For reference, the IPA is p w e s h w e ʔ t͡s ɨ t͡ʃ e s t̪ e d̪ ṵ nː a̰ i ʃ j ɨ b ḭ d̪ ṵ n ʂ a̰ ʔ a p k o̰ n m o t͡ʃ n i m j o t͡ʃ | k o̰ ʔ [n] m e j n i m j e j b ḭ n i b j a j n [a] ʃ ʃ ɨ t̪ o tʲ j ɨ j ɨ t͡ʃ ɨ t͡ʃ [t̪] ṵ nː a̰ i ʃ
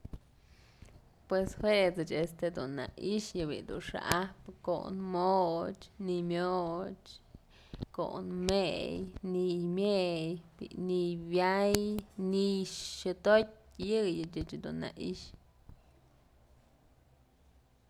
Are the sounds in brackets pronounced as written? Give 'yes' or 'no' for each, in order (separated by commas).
yes, no, no